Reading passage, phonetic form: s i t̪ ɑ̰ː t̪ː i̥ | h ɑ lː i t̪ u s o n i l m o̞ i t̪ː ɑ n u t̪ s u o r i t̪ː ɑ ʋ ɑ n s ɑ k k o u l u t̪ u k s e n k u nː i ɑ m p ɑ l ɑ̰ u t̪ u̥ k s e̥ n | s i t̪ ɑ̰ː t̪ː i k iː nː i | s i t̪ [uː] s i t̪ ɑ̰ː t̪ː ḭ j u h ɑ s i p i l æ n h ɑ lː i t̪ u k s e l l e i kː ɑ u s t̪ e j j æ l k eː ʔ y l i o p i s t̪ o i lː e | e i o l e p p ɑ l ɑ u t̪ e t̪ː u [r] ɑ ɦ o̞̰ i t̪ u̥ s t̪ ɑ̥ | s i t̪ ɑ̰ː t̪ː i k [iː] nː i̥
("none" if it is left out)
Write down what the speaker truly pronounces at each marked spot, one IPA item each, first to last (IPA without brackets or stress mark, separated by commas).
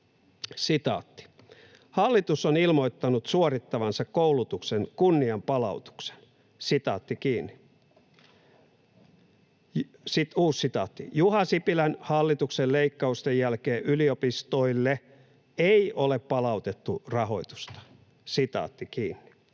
uː, r, iː